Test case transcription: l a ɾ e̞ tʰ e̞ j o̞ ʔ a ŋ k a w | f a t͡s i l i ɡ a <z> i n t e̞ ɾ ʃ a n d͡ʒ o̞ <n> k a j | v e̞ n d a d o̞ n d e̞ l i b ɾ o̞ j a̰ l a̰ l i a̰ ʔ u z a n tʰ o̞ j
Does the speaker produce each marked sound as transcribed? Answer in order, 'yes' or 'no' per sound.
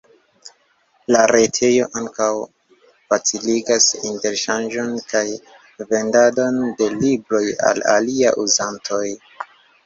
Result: no, yes

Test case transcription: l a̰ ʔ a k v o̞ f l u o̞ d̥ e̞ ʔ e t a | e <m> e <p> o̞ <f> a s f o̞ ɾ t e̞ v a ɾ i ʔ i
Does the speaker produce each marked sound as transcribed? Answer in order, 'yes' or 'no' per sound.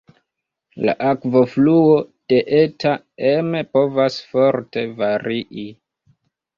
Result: yes, yes, no

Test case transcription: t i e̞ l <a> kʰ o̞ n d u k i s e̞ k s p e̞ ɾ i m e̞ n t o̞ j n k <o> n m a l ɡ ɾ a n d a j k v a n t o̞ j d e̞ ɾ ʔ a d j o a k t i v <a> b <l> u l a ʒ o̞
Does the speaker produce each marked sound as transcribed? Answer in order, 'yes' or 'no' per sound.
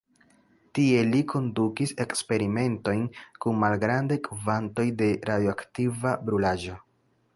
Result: no, no, yes, no

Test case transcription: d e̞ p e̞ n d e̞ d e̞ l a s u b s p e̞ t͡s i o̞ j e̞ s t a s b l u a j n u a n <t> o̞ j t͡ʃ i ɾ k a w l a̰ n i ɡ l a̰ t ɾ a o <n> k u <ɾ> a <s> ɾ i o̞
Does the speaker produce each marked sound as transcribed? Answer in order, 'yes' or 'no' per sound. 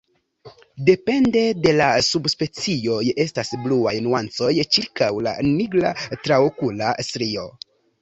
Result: no, no, no, yes

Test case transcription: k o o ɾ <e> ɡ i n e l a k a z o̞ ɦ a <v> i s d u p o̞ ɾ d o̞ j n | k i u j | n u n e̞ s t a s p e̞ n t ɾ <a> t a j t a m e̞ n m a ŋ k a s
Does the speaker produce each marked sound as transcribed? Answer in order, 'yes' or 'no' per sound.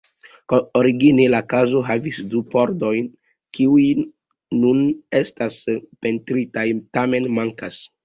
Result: no, yes, no

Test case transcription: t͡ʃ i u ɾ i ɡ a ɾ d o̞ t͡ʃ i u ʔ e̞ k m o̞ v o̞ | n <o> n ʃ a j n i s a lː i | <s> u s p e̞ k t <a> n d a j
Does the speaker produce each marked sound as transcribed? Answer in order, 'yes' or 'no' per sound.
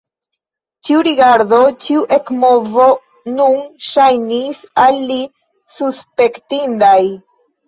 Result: no, yes, no

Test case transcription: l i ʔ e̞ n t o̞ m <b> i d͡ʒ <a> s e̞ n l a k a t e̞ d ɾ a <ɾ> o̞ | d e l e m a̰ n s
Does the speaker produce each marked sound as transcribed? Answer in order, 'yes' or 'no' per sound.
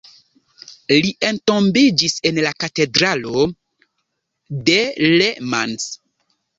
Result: yes, no, no

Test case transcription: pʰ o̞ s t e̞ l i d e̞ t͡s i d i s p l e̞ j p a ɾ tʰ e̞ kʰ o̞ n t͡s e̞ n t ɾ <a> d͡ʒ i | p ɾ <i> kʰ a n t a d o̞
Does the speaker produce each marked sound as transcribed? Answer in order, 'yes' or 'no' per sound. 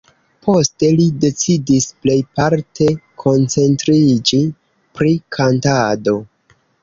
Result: no, yes

